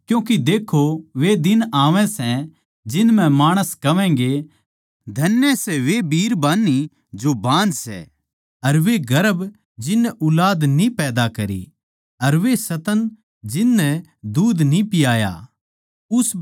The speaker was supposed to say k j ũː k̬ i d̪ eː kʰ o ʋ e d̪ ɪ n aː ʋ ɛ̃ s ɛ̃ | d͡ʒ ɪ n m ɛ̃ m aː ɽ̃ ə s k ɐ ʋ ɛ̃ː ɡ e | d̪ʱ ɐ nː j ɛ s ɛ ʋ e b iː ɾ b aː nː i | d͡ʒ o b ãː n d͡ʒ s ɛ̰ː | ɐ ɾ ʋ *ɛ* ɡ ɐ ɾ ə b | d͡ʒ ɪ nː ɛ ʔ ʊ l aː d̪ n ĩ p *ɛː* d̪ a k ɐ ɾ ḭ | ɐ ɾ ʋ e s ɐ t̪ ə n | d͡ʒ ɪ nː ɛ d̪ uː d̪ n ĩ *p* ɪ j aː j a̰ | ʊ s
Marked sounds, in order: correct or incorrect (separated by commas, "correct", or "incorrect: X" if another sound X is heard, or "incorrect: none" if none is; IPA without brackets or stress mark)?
incorrect: e, correct, correct